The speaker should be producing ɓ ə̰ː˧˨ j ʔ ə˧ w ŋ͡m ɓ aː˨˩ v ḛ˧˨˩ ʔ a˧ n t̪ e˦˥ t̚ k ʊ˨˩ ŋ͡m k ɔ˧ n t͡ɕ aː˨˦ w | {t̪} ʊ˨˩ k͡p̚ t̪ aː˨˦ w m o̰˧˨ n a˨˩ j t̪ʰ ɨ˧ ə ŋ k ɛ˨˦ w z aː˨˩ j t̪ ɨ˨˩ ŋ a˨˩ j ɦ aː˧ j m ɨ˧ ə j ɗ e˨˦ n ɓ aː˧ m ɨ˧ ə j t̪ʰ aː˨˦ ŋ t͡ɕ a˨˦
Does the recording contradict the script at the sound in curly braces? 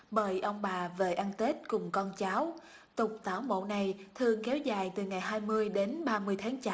no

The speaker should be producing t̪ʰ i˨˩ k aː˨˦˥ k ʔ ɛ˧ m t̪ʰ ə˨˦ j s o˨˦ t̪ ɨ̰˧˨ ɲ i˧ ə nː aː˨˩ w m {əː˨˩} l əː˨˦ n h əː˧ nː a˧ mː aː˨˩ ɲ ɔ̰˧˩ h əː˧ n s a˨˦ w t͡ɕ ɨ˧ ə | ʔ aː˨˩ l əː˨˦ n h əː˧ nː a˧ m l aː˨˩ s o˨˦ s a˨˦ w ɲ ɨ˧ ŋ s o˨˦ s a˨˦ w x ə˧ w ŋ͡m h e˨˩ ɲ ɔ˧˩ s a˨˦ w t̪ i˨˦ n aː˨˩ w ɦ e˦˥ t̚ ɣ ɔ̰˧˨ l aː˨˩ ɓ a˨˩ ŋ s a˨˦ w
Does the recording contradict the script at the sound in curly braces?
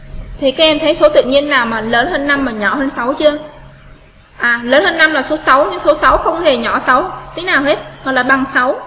yes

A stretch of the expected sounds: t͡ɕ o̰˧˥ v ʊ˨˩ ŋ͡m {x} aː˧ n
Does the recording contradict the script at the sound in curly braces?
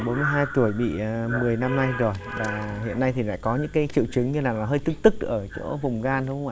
yes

